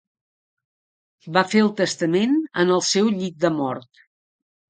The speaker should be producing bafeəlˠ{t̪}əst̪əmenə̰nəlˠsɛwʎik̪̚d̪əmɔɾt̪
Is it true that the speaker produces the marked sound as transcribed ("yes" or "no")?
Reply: yes